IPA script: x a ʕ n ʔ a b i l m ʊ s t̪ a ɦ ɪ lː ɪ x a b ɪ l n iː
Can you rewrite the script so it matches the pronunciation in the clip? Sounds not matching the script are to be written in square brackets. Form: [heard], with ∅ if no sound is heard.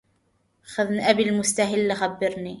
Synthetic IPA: x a [ð] n ʔ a b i l m ʊ s t̪ a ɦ ɪ lː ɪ x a [bː] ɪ [ɾ] n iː